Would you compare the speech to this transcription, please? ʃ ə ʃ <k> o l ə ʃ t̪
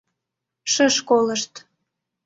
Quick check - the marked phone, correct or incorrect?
correct